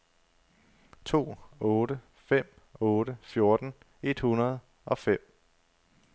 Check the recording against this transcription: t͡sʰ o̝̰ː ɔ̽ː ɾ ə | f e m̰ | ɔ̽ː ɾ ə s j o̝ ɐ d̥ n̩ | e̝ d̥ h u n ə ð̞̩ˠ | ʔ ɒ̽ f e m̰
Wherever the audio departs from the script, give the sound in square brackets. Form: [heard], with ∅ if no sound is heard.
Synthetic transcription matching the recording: t͡sʰ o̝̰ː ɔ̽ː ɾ ə | f e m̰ | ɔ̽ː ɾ ə [f] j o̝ ɐ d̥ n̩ | e̝ d̥ h u n [ɐ] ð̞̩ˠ | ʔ ɒ̽ f e m̰

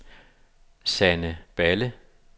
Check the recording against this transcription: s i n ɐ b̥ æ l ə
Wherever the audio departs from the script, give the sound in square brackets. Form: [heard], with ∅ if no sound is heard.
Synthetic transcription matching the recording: s [æ] n [ə] b̥ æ l ə

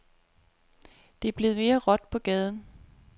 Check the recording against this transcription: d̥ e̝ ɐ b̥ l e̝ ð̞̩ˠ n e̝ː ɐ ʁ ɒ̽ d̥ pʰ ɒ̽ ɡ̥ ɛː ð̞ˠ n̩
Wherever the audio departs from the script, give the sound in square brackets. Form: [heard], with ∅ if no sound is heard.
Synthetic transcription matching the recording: d̥ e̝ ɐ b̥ l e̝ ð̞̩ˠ [m] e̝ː ɐ ʁ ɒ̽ d̥ pʰ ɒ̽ ɡ̥ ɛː ð̞ˠ n̩

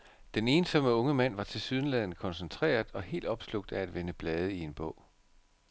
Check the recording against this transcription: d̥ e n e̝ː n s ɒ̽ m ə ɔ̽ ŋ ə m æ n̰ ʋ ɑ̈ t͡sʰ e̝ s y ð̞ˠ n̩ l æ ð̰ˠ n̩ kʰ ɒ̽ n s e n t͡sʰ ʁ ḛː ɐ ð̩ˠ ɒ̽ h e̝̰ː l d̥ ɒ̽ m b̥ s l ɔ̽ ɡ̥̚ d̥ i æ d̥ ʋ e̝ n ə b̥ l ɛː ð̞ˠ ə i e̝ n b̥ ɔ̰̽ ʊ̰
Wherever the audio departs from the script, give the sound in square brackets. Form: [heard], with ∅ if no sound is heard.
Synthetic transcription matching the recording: d̥ e n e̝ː n s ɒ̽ m ə ɔ̽ ŋ ə m æ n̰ ʋ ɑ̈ t͡sʰ e̝ s y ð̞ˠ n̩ l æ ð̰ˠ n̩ kʰ ɒ̽ n s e n t͡sʰ ʁ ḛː ɐ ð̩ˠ ɒ̽ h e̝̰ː l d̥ ɒ̽ [∅] b̥ s l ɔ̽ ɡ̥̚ d̥ [æ] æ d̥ ʋ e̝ n ə b̥ l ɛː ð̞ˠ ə i e̝ n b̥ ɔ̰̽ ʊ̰

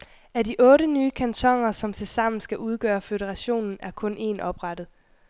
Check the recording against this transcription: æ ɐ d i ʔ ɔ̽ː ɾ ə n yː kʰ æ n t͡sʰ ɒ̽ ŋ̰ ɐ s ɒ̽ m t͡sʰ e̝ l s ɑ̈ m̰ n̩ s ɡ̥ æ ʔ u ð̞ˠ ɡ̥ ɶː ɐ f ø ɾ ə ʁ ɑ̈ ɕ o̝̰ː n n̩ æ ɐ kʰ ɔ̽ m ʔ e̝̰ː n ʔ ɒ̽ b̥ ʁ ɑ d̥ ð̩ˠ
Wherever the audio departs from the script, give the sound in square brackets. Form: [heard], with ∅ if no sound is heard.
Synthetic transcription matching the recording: æ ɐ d i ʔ ɔ̽ː ɾ ə n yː kʰ æ n t͡sʰ ɒ̽ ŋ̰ ɐ s ɒ̽ m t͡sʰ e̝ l s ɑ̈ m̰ n̩ s ɡ̥ æ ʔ u ð̞ˠ ɡ̥ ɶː ɐ f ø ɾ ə ʁ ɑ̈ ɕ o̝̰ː n n̩ æ ɐ kʰ ɔ̽ [n] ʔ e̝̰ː n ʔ ɒ̽ b̥ ʁ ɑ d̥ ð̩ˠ

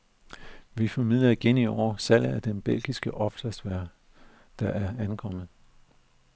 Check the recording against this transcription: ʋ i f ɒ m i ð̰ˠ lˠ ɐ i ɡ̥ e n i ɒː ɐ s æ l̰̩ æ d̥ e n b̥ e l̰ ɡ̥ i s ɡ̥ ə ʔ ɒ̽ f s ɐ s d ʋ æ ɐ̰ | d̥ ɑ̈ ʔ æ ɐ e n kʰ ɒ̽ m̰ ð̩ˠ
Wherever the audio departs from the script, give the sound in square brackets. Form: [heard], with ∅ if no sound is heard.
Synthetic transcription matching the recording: ʋ i f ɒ m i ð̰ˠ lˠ ɐ i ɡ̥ e n i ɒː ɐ s æ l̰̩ æ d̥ e n b̥ e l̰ ɡ̥ i s ɡ̥ ə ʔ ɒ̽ f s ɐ s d ʋ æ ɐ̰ | d̥ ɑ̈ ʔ æ ɐ [æ] n kʰ ɒ̽ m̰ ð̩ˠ

